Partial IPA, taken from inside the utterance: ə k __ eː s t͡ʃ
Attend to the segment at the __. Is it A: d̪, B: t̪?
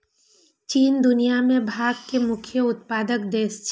A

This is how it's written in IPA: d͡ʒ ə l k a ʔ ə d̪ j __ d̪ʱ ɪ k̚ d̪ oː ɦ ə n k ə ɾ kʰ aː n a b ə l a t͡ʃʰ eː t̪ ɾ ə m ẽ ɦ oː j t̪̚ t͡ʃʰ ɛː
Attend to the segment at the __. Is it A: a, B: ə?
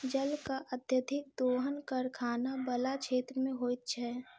B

